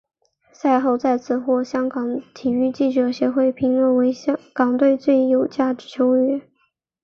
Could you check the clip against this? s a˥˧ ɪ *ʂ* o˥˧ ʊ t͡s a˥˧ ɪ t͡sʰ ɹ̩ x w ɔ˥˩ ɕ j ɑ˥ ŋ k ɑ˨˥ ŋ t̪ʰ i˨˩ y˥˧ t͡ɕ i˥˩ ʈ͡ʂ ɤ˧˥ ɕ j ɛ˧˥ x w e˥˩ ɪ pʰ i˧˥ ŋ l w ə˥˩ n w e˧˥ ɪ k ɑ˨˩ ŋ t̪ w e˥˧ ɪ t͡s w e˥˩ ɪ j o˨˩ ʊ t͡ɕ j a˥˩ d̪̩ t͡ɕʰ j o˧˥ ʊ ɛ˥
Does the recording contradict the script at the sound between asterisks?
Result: yes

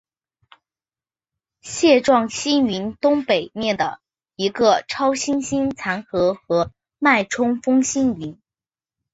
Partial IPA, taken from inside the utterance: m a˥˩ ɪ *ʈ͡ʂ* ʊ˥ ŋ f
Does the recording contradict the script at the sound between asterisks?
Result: yes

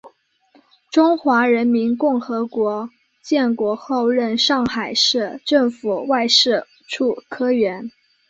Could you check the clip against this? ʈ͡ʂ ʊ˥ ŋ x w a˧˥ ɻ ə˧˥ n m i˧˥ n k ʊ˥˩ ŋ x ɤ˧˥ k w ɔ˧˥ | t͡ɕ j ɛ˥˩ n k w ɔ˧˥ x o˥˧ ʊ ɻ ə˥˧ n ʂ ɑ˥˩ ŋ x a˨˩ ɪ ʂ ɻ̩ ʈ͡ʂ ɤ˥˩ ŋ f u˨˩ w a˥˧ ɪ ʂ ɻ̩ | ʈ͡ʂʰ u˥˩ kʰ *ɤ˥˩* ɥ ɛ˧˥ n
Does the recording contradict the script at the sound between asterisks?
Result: yes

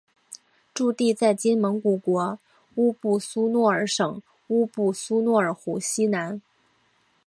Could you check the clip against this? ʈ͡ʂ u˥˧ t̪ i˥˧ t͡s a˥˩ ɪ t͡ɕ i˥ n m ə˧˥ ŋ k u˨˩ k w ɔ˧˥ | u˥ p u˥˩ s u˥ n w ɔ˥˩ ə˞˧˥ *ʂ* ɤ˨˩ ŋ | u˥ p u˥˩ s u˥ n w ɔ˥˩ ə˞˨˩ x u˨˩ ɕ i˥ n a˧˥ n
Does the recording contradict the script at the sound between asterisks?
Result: no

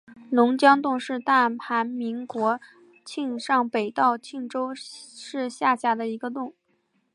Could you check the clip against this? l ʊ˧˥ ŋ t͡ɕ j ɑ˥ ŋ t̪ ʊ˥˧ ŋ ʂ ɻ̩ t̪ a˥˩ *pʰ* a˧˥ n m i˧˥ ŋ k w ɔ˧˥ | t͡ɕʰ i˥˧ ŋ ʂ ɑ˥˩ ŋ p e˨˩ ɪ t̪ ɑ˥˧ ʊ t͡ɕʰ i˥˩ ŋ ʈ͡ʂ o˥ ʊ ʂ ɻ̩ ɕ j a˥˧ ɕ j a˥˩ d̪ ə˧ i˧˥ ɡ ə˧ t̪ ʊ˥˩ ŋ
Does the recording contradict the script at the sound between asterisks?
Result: no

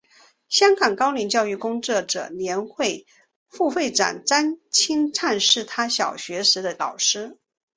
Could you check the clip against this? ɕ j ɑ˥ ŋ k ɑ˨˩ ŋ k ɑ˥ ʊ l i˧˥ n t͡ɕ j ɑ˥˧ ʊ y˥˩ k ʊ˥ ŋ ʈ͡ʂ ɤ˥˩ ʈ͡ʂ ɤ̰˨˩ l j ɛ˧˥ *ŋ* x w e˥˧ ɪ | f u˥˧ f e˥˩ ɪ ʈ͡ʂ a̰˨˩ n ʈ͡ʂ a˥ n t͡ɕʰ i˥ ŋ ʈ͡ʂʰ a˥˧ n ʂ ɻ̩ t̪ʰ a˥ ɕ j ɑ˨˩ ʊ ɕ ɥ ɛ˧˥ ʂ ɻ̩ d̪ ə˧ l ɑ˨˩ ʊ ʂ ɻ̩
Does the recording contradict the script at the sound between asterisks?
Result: yes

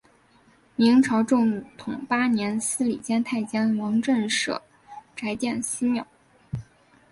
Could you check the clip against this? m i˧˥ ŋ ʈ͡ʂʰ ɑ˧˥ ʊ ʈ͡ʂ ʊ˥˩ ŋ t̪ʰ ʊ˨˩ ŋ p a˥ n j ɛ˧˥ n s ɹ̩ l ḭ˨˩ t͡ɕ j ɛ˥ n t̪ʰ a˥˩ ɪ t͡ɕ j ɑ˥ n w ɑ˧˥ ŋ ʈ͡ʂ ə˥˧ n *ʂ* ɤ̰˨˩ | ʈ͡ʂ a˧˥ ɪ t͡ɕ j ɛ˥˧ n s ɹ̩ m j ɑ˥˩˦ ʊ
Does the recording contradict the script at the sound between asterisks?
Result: no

